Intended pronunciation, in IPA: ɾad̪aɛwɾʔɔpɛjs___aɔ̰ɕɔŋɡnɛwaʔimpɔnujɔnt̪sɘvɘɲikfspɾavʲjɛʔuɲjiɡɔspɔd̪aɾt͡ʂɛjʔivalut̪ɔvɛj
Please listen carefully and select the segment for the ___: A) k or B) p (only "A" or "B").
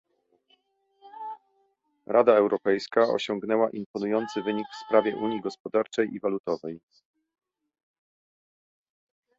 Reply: A